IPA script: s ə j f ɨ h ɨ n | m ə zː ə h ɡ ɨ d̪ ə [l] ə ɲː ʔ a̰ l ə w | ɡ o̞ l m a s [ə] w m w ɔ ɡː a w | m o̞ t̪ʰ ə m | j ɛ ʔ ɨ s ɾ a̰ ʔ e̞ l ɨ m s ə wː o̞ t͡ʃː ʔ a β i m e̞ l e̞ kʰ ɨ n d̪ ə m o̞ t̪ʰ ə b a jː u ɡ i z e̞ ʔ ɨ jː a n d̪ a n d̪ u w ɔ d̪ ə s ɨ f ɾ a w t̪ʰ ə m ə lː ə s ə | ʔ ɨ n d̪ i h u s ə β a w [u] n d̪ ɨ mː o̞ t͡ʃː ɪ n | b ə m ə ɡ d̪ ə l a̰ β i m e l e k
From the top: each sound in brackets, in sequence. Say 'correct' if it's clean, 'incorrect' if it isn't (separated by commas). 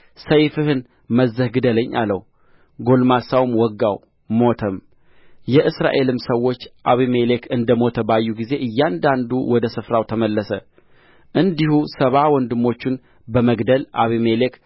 correct, incorrect, incorrect